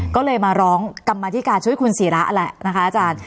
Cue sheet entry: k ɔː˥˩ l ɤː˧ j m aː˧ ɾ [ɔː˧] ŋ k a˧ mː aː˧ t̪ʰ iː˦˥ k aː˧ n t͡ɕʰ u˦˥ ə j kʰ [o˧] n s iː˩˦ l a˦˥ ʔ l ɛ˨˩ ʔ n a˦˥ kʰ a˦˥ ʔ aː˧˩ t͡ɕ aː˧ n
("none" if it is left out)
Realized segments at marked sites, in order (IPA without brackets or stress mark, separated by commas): ɔː˦˥, u˧